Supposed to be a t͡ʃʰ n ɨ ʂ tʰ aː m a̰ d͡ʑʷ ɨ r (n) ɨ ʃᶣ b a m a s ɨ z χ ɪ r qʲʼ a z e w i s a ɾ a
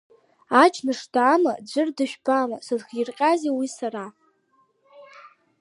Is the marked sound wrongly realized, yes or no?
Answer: yes